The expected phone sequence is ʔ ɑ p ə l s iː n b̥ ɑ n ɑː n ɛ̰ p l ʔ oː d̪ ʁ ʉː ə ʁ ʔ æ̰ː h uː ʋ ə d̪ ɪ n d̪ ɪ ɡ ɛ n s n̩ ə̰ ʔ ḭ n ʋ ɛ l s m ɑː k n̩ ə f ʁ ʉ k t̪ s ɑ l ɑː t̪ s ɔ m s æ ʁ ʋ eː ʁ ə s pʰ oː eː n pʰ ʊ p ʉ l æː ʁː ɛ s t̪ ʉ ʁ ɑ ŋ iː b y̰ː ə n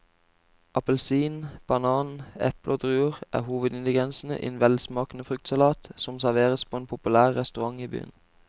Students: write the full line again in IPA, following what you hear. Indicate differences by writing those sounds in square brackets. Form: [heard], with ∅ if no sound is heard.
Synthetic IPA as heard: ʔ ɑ p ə l s iː n b̥ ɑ n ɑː n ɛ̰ p l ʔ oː d̪ ʁ ʉː ə ʁ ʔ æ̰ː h uː ʋ ə d̪ ɪ n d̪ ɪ ɡ ɛ n s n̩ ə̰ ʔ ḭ n ʋ ɛ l s m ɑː k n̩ ə f ʁ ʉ k t̪ s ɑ l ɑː t̪ s ɔ m s æ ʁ ʋ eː ʁ ə s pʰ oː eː n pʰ ʊ p ʉ l æː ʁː ɛ s t̪ ʉ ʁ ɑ ŋ iː b y̰ː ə n